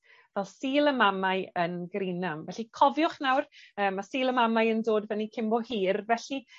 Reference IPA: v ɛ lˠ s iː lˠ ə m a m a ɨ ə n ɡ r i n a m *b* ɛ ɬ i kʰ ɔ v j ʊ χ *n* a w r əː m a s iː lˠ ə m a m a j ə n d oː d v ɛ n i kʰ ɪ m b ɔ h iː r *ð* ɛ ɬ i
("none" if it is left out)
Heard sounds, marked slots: v, n, v

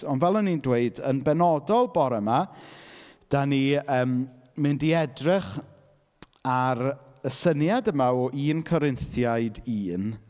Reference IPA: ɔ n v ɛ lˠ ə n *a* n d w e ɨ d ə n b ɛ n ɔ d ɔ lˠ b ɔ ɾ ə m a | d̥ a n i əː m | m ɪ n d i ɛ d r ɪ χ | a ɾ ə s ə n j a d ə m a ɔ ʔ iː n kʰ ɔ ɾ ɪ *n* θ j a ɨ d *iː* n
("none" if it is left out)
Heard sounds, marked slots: i, n, iː

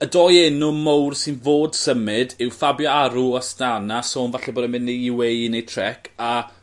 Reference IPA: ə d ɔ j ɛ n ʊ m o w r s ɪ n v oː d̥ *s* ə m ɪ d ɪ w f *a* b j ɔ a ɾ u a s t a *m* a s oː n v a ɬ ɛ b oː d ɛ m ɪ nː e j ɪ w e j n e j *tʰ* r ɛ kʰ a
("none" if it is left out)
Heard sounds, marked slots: s, a, n, tʰ

